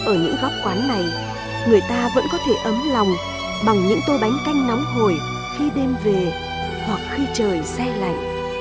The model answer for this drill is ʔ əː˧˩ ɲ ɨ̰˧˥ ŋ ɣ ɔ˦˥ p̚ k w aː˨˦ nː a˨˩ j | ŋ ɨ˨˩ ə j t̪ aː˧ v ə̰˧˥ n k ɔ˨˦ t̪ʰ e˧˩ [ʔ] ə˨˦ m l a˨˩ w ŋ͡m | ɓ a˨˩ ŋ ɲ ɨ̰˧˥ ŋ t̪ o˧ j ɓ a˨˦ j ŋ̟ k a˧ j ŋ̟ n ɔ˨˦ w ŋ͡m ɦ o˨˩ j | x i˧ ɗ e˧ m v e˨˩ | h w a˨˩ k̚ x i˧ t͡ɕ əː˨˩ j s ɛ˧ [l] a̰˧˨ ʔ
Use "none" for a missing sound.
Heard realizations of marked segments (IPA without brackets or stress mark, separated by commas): ʔ, l